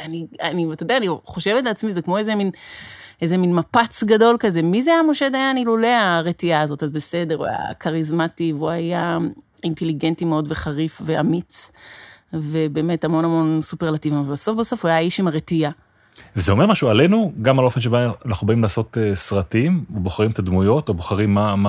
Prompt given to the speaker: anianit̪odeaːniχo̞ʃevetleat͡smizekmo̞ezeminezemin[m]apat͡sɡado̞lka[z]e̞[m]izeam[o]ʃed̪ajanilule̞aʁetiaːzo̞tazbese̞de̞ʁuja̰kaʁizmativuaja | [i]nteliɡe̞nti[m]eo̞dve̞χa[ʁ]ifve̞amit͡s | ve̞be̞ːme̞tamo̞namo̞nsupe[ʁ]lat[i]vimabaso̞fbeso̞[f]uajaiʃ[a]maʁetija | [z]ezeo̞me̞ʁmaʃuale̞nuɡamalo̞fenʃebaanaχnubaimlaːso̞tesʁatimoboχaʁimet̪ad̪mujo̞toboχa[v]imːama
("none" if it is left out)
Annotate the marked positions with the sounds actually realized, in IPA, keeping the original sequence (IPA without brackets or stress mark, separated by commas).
m, z, m, o, i, m, ʁ, ʁ, i, f, i, v, ʁ